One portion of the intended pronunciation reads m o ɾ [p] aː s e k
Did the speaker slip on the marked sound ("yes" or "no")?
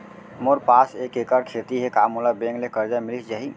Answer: no